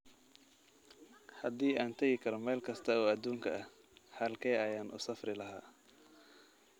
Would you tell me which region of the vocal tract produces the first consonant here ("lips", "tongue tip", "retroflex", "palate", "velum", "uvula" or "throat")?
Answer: throat